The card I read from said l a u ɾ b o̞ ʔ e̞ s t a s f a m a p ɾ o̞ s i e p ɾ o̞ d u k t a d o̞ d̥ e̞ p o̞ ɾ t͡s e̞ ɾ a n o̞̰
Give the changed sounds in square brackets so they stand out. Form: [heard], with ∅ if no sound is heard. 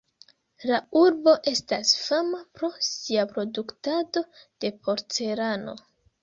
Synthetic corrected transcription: l a u ɾ b o̞ ʔ e̞ s t a s f a m a p ɾ o̞ s i [a] p ɾ o̞ d u k t a d o̞ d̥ e̞ p o̞ ɾ t͡s e̞ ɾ a n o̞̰

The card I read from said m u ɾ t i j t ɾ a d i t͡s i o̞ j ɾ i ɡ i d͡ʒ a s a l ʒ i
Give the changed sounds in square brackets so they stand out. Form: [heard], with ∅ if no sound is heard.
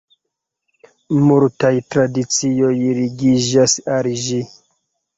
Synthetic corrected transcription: m u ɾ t [a] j t ɾ a d i t͡s i o̞ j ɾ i ɡ i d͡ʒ a s a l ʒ i

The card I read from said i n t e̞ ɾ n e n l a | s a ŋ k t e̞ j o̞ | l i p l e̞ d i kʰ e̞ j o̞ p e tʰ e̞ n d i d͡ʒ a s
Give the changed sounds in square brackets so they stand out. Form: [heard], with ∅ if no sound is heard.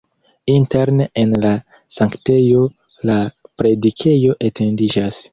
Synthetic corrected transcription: i n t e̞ ɾ n e n l a | s a ŋ k t e̞ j o̞ | l [a] p [ɾ] e̞ d i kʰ e̞ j o̞ [ʔ] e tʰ e̞ n d i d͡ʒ a s

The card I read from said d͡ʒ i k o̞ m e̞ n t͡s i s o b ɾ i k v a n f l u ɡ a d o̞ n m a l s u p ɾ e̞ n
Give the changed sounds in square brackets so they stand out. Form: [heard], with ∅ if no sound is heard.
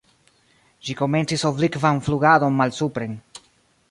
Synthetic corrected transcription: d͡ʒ i k o̞ m e̞ n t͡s i s o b [l] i k v a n f l u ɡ a d o̞ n m a l s u p ɾ e̞ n

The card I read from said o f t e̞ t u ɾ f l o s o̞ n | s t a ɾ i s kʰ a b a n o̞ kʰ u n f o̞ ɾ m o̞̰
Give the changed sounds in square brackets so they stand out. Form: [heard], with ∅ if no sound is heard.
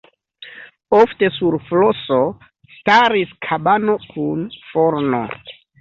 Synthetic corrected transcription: o f t e̞ [s] u ɾ f l o s o̞ [∅] | s t a ɾ i s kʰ a b a n o̞ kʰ u n f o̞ ɾ [n] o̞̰

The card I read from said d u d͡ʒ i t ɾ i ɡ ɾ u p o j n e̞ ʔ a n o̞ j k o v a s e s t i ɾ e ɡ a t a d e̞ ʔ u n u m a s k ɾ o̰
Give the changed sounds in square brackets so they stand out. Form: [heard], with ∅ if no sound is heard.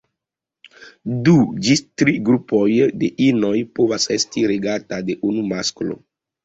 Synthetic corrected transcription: d u d͡ʒ i t ɾ i ɡ ɾ u p o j [d] e̞ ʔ [i] n o̞ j [p] o v a s e s t i ɾ e ɡ a t a d e̞ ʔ u n u m a s k [l] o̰

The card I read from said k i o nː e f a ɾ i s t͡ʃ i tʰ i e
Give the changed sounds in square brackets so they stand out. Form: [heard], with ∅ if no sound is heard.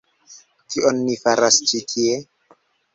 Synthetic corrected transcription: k i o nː [i] f a ɾ [a] s t͡ʃ i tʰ i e

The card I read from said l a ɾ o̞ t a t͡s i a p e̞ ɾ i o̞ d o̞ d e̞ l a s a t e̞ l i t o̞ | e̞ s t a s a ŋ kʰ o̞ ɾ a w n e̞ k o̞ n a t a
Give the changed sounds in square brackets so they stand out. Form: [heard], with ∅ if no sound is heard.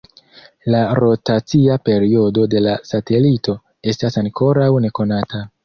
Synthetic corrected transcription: l a ɾ o̞ t a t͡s i a p e̞ ɾ i o̞ d o̞ d e̞ l a s a t e̞ l i t o̞ | e̞ s t a s a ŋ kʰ o̞ ɾ a w n e̞ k o̞ n a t a

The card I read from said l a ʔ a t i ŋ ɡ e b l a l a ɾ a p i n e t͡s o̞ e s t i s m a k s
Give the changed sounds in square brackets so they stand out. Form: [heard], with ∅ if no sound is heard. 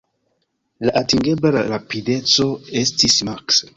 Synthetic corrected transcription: l a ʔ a t i ŋ ɡ e b l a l a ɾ a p i [d] e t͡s o̞ e s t i s m a k s

